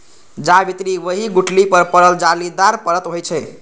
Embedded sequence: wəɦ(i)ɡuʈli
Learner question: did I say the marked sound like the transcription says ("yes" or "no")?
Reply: yes